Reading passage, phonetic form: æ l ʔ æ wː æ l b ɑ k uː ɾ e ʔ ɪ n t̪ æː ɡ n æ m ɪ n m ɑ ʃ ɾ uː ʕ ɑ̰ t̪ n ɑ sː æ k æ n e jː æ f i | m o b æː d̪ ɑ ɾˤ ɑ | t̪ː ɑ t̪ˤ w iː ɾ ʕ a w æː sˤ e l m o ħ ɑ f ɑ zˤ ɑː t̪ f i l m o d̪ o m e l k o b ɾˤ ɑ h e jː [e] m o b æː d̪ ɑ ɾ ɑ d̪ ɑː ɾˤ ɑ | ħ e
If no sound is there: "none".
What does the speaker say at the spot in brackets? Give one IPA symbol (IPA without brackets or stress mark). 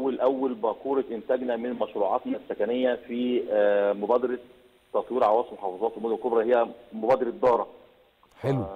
æ